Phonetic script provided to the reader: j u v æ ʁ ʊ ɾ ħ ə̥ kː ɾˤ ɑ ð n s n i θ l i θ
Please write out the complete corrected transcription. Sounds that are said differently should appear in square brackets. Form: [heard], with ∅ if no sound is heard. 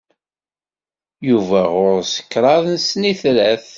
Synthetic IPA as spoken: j u v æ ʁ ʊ ɾ [s] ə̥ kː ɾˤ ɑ ð n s n i θ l [æ] θ

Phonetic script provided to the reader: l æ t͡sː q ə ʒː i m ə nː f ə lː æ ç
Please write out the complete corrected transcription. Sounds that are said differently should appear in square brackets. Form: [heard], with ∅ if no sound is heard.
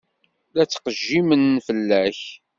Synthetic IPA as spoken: l æ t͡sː q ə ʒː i m ə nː f ə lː æ ç

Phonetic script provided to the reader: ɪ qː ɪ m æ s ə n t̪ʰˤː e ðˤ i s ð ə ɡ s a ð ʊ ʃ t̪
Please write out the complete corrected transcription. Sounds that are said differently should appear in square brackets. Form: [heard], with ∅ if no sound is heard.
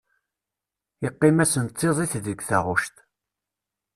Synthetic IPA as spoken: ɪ qː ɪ m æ s ə n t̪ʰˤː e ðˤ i [θ] ð ə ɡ [θ] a [ʁ] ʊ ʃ t̪

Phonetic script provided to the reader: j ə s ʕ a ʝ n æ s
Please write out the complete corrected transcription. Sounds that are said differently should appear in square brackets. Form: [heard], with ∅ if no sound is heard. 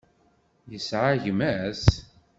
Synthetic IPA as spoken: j ə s ʕ a ʝ [m] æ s

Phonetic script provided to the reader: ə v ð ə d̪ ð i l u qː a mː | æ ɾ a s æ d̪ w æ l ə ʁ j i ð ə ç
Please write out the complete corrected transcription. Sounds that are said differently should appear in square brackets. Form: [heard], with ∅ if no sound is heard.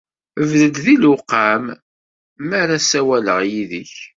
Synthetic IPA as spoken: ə v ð ə d̪ ð i l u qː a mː | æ ɾ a s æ [∅] w æ l ə ʁ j i ð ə ç

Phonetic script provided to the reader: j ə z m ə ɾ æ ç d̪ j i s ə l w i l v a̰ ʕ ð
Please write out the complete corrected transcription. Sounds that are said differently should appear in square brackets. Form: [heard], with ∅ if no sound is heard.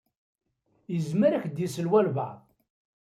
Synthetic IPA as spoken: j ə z m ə ɾ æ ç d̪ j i s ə l w [æ] l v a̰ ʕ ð

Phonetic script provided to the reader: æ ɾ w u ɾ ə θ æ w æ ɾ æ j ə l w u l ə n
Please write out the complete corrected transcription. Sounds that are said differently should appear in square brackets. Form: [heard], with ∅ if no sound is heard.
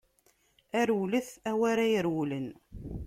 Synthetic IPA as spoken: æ ɾ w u [l] ə θ æ w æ ɾ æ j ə [ɾ] w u l ə n

